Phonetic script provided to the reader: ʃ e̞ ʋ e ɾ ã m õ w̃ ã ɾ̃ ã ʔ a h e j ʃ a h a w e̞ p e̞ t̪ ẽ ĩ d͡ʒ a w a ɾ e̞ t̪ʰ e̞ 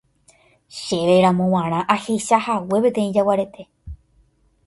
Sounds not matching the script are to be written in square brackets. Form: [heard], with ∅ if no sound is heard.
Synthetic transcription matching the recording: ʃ e̞ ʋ e ɾ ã m õ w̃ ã ɾ̃ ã ʔ a h e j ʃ a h a w e̞ p e̞ t̪ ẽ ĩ d͡ʒ a w a ɾ e̞ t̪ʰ e̞